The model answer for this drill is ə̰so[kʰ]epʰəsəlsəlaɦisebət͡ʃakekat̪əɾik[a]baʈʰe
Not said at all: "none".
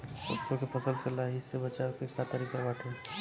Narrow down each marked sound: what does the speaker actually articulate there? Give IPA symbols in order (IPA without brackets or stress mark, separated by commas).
k, a